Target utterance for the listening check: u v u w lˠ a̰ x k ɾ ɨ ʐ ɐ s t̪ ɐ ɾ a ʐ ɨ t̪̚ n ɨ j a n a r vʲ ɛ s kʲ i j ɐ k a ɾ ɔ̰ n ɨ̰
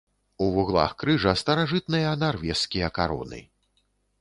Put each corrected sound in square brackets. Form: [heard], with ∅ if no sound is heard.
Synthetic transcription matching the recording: u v u [ɣ] lˠ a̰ x k ɾ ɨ ʐ ɐ s t̪ ɐ ɾ a ʐ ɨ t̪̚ n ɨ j [ɐ] n a r vʲ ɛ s kʲ i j ɐ k a ɾ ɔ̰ n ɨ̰

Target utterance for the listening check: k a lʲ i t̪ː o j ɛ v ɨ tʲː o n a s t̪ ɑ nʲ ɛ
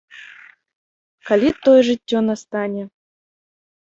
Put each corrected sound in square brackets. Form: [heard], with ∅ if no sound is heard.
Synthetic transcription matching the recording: k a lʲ i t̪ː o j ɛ [ʐ] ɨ tʲː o n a s t̪ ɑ nʲ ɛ

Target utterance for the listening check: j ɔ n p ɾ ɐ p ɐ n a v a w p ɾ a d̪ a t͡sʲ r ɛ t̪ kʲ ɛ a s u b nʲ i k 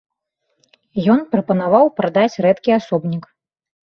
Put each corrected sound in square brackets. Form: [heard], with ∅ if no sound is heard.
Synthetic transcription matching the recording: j ɔ n p ɾ ɐ p ɐ n a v a w p ɾ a d̪ a t͡sʲ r ɛ t̪ kʲ [i] a s [ɔ] b nʲ i k

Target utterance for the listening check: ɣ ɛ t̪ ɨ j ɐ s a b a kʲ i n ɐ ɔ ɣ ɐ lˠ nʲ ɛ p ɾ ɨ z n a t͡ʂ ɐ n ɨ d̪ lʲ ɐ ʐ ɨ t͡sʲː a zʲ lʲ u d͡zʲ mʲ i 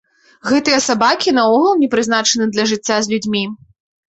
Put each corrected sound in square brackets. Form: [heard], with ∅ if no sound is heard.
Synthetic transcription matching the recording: ɣ ɛ t̪ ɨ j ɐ s a b a kʲ i n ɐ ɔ ɣ ɐ lˠ nʲ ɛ p ɾ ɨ z n a t͡ʂ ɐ n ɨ d̪ lʲ ɐ ʐ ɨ t͡sʲː a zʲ lʲ u d͡zʲ mʲ i

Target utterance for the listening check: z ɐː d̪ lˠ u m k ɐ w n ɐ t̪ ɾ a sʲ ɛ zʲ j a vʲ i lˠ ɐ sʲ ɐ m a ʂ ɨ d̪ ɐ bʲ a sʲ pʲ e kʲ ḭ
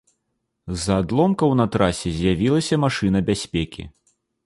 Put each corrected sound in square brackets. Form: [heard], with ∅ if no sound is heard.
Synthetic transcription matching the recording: z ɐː d̪ lˠ [ɔ] m k ɐ w n ɐ t̪ ɾ a sʲ ɛ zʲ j a vʲ i lˠ ɐ sʲ ɐ m a ʂ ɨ [n̪] ɐ bʲ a sʲ pʲ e kʲ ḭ

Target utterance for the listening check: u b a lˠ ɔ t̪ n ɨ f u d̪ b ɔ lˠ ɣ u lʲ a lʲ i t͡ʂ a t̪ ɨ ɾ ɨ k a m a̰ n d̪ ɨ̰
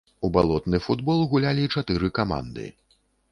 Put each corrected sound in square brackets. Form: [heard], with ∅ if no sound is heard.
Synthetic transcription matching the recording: u b a lˠ ɔ t̪ n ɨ f u d̪ b ɔ lˠ ɣ u lʲ a lʲ i t͡ʂ a t̪ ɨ ɾ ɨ k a m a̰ n d̪ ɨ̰

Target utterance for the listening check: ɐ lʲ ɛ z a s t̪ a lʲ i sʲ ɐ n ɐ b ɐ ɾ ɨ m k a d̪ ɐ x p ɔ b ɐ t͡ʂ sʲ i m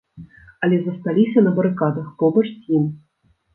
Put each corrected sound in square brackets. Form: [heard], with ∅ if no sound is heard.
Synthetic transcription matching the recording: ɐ lʲ ɛ z [ɐ] s t̪ a lʲ i sʲ ɐ n ɐ b ɐ ɾ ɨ [∅] k a d̪ ɐ x p ɔ b ɐ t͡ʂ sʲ i m

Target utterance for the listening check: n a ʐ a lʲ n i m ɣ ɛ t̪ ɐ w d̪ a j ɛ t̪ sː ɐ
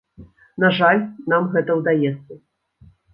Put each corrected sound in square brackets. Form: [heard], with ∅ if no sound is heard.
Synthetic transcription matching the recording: n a ʐ a lʲ n [a] m ɣ ɛ t̪ ɐ w d̪ a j ɛ t̪ sː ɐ

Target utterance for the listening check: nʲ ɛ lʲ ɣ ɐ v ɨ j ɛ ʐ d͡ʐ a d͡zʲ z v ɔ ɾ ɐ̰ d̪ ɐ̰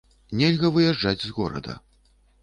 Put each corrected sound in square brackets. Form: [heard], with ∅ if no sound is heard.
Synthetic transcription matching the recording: nʲ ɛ lʲ ɣ ɐ v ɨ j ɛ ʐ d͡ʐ a d͡zʲ z [ɣ] ɔ ɾ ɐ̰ d̪ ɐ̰

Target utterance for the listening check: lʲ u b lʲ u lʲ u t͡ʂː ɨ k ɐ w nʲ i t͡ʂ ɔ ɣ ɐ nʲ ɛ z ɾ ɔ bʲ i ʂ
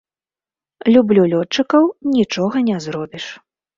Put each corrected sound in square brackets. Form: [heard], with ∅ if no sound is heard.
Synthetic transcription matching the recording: lʲ u b lʲ u lʲ [ɔ] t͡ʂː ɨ k ɐ w nʲ i t͡ʂ ɔ ɣ ɐ nʲ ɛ z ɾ ɔ bʲ i ʂ

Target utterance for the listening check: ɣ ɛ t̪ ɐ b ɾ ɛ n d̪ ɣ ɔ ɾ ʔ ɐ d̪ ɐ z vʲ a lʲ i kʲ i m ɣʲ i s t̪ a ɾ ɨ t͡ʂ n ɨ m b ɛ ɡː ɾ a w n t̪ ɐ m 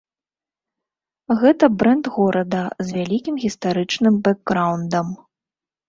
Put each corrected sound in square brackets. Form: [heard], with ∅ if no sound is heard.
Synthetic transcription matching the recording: ɣ ɛ t̪ ɐ b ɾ ɛ n d̪ ɣ ɔ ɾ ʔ ɐ d̪ ɐ z vʲ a lʲ i kʲ i m ɣʲ i s t̪ a ɾ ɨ t͡ʂ n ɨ m b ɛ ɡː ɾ a w n [d̪] ɐ m

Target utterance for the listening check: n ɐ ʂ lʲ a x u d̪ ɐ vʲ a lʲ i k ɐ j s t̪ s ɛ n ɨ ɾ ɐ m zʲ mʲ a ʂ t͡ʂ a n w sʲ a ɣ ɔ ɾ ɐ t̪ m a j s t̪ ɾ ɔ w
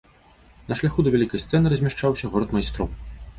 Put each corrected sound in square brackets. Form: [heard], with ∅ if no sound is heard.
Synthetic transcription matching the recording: n ɐ ʂ lʲ a x u d̪ ɐ vʲ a lʲ i k ɐ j s t̪ s ɛ n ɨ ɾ ɐ [∅] zʲ mʲ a ʂ t͡ʂ a [∅] w sʲ [ɐ] ɣ ɔ ɾ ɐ t̪ m a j s t̪ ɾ ɔ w

